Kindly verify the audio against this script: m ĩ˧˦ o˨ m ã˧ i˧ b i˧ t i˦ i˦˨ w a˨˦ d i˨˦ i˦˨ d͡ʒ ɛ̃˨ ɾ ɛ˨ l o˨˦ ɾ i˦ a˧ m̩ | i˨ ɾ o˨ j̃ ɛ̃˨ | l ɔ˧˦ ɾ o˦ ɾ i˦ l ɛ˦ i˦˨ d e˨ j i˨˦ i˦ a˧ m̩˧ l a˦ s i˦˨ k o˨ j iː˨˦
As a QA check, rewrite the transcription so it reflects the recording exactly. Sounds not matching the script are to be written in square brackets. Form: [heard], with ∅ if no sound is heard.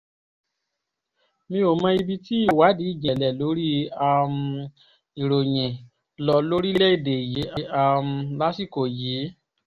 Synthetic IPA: m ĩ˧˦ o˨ m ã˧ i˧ b i˧ t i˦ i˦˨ w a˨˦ d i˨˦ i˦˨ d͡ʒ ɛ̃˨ [l] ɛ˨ l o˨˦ ɾ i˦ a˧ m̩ | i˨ ɾ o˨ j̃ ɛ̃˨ | l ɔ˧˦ [l] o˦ ɾ i˦ l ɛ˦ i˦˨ d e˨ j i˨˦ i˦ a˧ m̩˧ l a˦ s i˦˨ k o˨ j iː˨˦